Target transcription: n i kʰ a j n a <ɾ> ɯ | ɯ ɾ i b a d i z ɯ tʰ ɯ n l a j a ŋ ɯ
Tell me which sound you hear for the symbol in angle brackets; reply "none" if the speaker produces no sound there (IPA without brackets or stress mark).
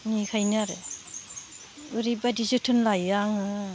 ɾ